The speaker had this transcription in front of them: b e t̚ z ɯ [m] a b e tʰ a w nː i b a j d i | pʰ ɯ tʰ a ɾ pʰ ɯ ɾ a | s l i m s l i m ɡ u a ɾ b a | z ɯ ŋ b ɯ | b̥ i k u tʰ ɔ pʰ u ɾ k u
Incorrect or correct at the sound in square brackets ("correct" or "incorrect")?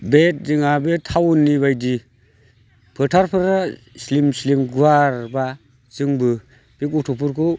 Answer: incorrect